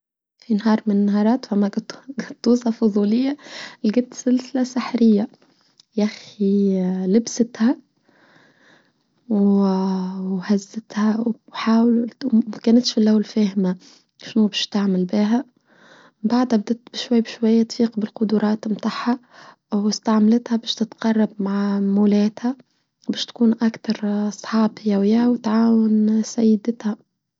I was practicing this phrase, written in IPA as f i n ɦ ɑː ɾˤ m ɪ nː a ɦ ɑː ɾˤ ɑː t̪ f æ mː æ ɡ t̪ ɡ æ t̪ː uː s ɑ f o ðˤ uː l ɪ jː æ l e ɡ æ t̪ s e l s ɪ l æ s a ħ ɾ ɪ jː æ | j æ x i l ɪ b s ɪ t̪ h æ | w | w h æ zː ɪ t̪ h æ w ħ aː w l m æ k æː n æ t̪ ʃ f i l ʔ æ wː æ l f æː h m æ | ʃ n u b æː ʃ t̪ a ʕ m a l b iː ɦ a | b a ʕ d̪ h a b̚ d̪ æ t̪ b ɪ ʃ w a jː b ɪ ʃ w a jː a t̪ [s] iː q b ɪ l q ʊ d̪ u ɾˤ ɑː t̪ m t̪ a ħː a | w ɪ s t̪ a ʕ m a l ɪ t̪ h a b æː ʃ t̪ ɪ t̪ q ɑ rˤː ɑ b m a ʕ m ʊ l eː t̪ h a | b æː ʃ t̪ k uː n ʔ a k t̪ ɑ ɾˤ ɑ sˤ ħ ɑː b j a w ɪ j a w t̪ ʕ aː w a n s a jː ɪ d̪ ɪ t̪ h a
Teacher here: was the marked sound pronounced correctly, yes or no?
no